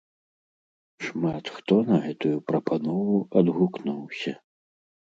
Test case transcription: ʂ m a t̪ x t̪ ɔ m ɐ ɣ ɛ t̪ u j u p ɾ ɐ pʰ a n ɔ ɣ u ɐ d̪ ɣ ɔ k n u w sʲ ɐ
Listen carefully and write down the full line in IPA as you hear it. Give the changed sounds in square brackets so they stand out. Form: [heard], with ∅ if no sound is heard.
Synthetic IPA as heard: ʂ m a t̪ x t̪ ɔ [n] ɐ ɣ ɛ t̪ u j u p ɾ ɐ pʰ a n ɔ [v] u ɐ d̪ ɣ [u] k n u w sʲ ɐ

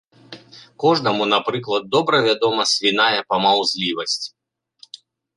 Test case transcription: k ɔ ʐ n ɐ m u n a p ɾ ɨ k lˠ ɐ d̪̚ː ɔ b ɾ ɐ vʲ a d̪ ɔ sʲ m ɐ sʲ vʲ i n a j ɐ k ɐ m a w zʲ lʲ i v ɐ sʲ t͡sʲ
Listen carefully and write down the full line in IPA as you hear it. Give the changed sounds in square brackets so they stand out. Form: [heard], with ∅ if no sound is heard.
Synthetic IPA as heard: k ɔ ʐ n ɐ m u n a p ɾ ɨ k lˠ ɐ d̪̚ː ɔ b ɾ ɐ vʲ a d̪ ɔ [∅] m ɐ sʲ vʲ i n a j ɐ [p] ɐ m a w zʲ lʲ i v ɐ sʲ t͡sʲ

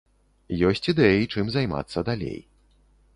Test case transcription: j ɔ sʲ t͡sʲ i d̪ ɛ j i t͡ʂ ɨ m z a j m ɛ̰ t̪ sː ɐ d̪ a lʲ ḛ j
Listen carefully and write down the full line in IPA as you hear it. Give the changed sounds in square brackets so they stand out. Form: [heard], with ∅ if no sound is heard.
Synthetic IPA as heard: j ɔ sʲ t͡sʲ i d̪ ɛ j i t͡ʂ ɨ m z a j m [a̰] t̪ sː ɐ d̪ a lʲ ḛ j

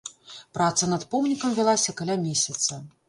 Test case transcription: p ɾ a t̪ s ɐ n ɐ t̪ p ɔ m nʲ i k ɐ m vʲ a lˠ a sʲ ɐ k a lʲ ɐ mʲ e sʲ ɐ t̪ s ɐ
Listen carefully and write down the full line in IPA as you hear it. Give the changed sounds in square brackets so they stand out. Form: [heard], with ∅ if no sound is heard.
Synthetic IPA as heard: p ɾ a t̪ s ɐ n ɐ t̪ p ɔ m nʲ i k ɐ m vʲ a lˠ a sʲ ɐ k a lʲ [a] mʲ e sʲ ɐ t̪ s ɐ

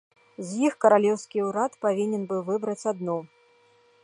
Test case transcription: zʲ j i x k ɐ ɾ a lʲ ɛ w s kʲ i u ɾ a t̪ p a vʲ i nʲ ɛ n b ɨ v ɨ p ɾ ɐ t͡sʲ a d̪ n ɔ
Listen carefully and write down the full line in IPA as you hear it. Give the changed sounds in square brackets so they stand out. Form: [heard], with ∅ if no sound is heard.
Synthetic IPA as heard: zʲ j i x k ɐ ɾ a lʲ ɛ w s kʲ i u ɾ a t̪ p a vʲ i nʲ ɛ n b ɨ v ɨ [b] ɾ ɐ t͡sʲ a d̪ n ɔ

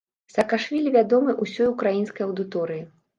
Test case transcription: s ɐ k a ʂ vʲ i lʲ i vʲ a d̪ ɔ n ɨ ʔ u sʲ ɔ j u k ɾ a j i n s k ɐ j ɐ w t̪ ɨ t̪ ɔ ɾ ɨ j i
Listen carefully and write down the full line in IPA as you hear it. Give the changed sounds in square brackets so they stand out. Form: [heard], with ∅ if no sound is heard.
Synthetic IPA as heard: s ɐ k a ʂ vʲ i lʲ i vʲ a d̪ ɔ [m] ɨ ʔ u sʲ ɔ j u k ɾ a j i n s k ɐ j ɐ w [d̪] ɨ t̪ ɔ ɾ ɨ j i

